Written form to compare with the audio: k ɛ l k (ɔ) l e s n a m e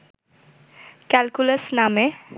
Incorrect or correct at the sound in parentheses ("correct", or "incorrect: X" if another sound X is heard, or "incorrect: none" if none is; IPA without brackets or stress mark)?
incorrect: u